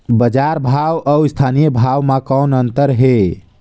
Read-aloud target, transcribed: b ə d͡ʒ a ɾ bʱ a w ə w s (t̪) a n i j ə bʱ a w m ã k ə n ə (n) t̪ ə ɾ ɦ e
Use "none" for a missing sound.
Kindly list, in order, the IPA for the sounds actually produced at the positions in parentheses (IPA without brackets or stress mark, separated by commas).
t̪ʰ, n